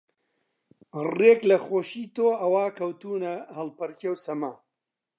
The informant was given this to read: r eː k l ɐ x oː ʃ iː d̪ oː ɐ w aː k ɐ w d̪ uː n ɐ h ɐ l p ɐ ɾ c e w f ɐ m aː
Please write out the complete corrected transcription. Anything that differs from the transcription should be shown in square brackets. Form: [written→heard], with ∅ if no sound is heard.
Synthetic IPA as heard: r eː k l ɐ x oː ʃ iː [d̪→t̪] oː ɐ w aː k ɐ w [d̪→t̪] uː n ɐ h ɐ l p ɐ ɾ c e w [f→s] ɐ m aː